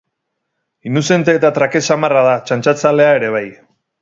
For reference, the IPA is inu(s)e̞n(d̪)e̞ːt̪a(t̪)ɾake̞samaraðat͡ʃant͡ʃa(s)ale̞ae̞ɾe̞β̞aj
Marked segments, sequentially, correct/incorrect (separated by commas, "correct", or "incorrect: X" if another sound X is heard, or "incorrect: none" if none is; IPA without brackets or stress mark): correct, incorrect: t̪, correct, incorrect: t͡s